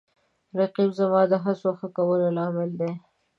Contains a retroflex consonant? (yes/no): no